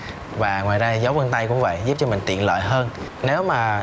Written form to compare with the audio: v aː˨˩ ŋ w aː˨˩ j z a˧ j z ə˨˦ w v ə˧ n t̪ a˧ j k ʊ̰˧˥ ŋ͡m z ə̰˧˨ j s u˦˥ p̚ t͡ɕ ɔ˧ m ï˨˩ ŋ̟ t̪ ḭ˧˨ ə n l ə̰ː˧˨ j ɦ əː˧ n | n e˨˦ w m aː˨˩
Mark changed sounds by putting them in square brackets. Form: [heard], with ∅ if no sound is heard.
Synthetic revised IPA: v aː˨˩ ŋ w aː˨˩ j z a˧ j z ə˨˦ w v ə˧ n t̪ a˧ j k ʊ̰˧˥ ŋ͡m [v] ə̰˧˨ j [z] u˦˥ p̚ t͡ɕ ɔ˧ m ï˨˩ ŋ̟ t̪ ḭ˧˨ ə n l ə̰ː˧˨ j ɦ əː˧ n | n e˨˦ w m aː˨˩